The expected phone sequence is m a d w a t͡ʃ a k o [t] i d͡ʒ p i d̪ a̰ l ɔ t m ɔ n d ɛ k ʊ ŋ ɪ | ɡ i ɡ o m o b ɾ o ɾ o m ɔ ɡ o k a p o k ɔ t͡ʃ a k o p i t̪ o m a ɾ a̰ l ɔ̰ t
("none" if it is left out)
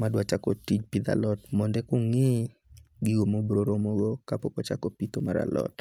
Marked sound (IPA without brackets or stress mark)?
t